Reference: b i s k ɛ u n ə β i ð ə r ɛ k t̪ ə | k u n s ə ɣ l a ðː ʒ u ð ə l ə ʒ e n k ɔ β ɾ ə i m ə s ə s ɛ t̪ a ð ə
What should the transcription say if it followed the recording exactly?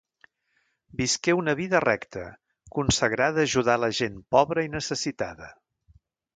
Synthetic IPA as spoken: b i s k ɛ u n ə β i ð ə r ɛ k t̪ ə | k u n s ə ɣ ɾ a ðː ʒ u ð a l ə ʒ e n p ɔ β ɾ ə i n ə s ə s i t̪ a ð ə